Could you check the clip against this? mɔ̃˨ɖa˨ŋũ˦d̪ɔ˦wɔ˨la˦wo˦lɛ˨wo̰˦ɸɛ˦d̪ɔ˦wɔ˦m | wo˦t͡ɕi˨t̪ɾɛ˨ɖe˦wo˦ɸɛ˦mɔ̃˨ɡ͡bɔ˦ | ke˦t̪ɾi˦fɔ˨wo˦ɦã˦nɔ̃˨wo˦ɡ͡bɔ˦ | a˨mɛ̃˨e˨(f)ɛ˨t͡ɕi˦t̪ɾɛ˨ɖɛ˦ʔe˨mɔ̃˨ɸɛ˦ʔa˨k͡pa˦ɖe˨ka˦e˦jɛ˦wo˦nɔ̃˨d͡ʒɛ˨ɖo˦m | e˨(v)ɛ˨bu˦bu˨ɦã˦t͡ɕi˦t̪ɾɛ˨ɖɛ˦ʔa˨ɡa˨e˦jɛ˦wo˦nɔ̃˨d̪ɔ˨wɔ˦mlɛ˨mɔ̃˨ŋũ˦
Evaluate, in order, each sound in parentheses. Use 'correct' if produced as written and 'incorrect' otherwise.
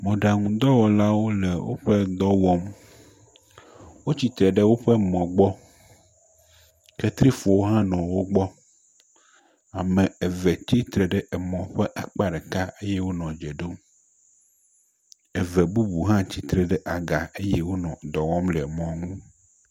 incorrect, correct

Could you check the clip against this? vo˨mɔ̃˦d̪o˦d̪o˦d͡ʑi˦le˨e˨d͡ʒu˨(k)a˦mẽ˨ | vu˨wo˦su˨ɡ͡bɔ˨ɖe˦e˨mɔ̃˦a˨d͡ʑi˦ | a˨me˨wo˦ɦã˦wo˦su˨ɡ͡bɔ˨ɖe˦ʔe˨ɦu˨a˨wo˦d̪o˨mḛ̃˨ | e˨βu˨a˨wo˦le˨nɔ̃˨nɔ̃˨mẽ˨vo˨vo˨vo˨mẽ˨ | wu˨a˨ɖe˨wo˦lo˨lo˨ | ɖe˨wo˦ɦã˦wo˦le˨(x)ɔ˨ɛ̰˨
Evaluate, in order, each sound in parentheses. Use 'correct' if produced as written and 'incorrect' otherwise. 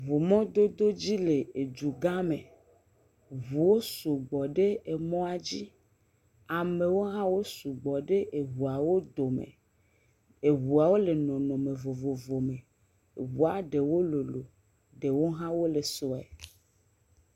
incorrect, incorrect

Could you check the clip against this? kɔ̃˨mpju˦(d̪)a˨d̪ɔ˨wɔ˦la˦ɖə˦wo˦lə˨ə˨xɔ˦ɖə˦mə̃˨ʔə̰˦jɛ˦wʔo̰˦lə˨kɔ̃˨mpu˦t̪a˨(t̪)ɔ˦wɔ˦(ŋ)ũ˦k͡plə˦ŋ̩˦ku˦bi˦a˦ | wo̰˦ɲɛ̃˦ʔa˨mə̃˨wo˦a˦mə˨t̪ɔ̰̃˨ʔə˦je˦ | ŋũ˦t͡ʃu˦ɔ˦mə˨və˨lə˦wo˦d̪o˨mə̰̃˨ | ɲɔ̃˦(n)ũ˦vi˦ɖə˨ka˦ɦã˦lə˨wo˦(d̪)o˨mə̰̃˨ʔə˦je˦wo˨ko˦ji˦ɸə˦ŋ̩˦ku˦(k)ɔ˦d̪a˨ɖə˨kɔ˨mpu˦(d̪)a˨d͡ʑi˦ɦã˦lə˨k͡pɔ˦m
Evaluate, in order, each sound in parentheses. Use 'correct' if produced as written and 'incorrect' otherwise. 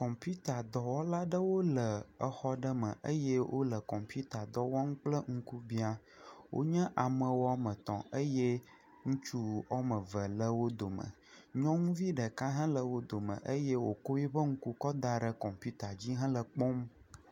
incorrect, incorrect, correct, incorrect, correct, correct, incorrect

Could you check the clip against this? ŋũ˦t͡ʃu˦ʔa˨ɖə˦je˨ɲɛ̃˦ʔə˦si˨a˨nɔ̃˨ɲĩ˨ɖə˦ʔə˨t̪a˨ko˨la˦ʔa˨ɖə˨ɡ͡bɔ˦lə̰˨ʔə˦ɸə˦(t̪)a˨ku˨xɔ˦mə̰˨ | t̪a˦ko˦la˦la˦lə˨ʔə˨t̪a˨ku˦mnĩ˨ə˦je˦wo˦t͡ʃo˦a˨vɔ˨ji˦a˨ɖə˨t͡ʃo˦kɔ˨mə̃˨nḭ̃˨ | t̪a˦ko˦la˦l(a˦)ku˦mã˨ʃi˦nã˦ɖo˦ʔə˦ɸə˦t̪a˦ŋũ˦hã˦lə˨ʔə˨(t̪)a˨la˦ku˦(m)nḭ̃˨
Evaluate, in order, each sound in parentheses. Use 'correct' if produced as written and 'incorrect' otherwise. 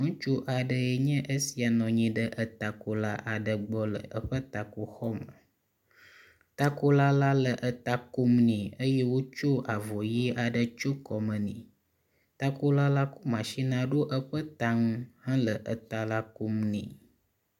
correct, correct, correct, correct

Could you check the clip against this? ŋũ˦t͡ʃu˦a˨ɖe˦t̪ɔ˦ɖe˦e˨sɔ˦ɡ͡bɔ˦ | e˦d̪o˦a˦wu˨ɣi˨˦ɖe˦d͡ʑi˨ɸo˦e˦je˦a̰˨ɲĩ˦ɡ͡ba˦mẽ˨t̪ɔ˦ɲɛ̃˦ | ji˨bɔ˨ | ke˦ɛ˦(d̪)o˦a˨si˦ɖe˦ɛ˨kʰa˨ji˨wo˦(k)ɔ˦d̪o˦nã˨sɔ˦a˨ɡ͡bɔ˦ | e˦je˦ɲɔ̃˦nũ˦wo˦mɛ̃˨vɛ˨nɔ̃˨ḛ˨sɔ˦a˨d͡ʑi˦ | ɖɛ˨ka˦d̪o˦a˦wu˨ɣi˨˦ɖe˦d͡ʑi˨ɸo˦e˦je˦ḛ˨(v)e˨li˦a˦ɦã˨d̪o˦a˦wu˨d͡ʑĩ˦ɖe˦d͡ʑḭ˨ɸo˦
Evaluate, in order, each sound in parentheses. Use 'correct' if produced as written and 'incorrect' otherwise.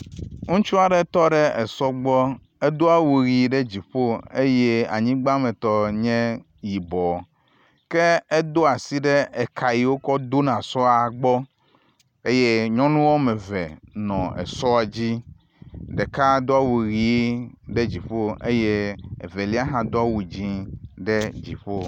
correct, correct, correct

